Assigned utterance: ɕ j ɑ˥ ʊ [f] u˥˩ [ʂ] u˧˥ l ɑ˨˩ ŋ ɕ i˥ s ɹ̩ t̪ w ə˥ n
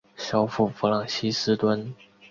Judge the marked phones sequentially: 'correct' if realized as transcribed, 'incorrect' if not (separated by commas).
correct, incorrect